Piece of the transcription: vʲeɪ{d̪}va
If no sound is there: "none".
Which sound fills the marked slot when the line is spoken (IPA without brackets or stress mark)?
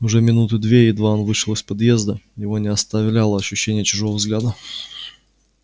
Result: d̪